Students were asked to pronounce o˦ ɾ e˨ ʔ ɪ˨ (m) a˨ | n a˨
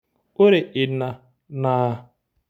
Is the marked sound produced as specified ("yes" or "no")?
no